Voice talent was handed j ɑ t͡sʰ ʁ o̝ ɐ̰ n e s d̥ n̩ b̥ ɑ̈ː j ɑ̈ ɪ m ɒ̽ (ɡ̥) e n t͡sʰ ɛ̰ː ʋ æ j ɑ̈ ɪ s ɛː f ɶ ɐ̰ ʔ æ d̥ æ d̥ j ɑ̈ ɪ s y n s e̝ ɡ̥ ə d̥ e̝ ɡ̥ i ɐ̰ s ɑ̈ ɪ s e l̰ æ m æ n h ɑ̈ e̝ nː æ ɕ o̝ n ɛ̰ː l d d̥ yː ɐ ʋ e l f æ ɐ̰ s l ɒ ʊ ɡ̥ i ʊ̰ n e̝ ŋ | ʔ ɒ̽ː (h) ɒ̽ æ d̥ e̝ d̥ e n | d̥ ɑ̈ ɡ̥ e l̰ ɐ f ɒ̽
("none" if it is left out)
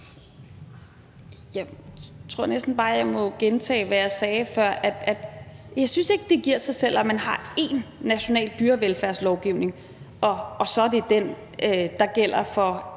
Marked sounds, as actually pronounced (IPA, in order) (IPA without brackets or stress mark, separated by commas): ɡ̥, s